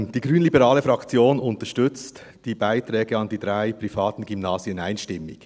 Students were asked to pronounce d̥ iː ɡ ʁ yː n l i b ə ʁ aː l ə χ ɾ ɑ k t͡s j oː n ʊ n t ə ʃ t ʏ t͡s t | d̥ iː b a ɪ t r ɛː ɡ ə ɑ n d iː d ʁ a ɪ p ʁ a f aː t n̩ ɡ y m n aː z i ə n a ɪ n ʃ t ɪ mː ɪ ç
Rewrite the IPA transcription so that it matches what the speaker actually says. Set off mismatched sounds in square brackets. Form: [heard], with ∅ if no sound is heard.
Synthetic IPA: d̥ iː ɡ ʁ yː n l i b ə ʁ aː l ə [f] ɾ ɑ k t͡s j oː n ʊ n t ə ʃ t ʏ t͡s t | d̥ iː b a ɪ t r ɛː ɡ ə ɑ n d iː d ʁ a ɪ p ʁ [i] f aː t n̩ ɡ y m n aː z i ə n a ɪ n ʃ t ɪ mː ɪ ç